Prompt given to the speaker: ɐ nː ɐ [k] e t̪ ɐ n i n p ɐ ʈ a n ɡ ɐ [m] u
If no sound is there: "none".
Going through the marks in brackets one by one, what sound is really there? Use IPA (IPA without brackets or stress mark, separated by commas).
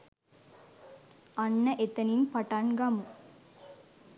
ʔ, m